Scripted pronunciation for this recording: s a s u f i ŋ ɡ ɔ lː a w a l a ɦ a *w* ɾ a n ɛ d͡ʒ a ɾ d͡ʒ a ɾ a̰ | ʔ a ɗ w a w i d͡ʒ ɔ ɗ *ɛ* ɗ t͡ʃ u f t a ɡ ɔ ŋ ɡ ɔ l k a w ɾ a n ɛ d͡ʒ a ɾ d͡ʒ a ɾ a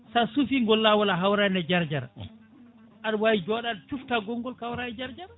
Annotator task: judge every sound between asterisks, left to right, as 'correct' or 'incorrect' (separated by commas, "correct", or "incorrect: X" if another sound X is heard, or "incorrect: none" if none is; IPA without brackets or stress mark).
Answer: correct, incorrect: a